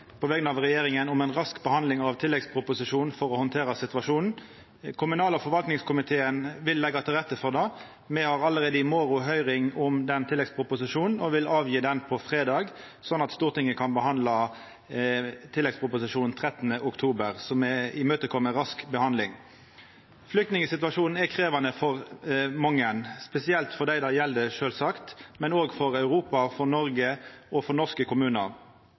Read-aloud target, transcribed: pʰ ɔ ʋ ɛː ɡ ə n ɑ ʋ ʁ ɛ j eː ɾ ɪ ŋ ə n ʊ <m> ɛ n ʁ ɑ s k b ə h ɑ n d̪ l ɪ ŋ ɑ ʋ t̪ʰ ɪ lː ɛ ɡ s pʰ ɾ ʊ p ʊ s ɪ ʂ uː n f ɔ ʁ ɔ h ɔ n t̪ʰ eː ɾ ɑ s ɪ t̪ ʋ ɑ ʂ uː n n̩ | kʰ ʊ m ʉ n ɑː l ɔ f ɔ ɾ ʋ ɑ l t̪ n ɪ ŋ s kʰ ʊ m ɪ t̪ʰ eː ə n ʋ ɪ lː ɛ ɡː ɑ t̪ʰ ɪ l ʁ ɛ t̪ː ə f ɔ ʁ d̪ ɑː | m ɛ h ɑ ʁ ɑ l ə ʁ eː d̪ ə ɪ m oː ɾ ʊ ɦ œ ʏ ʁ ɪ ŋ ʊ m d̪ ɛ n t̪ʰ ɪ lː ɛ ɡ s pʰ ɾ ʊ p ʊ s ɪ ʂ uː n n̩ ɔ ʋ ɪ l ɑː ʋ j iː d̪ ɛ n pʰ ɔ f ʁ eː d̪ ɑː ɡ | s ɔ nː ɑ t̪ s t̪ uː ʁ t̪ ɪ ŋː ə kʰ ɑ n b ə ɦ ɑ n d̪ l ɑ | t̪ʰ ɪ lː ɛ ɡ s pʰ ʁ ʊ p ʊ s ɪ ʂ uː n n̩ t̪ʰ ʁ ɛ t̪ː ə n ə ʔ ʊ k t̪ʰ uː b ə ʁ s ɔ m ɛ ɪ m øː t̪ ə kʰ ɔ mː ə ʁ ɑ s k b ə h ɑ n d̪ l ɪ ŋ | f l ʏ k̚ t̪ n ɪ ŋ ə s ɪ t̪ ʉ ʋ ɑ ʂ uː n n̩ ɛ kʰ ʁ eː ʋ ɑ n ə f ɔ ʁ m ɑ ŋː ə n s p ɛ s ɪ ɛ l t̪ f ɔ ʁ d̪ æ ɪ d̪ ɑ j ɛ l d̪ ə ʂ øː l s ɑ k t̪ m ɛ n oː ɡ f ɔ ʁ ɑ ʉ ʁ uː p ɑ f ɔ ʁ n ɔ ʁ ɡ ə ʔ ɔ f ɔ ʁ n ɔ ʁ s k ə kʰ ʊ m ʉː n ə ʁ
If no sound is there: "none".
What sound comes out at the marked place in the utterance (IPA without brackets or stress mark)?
m